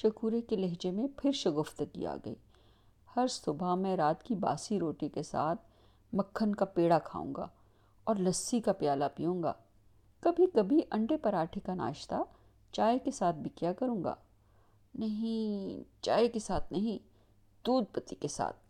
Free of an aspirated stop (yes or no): no